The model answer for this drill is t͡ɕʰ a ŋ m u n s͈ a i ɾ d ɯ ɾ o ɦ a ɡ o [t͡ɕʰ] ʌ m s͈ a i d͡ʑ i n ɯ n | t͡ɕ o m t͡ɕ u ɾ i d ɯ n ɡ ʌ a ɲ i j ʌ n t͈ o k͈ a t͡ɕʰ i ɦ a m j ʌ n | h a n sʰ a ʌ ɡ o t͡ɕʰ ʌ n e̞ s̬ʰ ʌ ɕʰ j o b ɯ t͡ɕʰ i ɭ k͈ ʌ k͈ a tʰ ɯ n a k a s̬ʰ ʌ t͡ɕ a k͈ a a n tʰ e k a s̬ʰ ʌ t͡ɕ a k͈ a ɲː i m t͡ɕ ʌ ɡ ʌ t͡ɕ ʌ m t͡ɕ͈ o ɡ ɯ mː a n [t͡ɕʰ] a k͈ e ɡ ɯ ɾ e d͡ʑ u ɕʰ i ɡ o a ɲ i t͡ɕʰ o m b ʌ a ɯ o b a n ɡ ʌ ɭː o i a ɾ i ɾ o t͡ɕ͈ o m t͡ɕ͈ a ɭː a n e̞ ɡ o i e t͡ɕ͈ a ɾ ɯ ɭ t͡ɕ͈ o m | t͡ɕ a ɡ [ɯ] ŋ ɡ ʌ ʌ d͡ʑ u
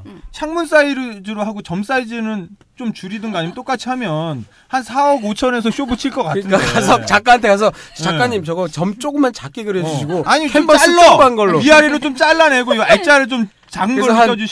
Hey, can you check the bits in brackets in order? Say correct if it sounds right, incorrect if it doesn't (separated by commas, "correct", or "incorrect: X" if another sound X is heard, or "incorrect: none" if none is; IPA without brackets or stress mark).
incorrect: t͡ɕ, incorrect: t͡ɕ, correct